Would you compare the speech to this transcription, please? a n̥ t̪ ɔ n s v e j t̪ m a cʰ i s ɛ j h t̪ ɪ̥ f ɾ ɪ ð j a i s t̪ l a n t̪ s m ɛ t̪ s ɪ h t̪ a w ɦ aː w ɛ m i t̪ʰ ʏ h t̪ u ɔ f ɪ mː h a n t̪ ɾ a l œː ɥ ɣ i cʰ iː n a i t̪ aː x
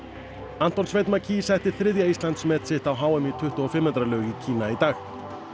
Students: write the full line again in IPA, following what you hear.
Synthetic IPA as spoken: a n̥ t̪ ɔ n s v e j t̪ m a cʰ i s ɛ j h t̪ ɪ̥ θ ɾ ɪ ð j a i s t̪ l a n t̪ s m ɛ t̪ s ɪ h t̪ a w ɦ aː w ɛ m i t̪ʰ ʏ h t̪ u ɔ f ɪ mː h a n t̪ ɾ a l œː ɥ ɣ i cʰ iː n a i t̪ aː x